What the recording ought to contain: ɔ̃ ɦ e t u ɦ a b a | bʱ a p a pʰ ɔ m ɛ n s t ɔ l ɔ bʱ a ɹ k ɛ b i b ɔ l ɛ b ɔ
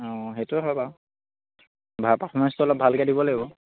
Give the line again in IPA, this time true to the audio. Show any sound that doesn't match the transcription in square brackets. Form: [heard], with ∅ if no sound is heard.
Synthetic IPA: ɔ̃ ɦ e t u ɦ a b a | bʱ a p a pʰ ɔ m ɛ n s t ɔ l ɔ bʱ a [l] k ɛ [d] i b ɔ l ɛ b ɔ